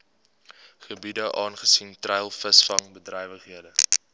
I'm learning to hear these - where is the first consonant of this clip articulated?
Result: uvula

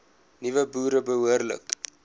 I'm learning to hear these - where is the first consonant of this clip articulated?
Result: tongue tip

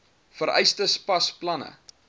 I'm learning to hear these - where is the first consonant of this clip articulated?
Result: lips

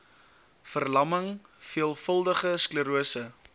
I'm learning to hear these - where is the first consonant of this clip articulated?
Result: lips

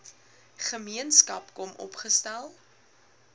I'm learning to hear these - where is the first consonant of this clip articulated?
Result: uvula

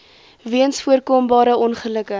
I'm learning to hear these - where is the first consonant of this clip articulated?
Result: lips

